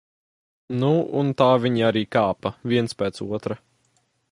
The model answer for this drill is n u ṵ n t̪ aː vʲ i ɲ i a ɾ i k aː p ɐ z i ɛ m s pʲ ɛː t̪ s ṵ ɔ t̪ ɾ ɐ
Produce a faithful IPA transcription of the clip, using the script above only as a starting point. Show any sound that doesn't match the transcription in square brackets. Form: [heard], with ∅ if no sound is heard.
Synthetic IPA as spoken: n u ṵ n t̪ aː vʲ i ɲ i a ɾ [iː] k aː p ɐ [v] i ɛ [n] s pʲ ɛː t̪ s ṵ ɔ t̪ ɾ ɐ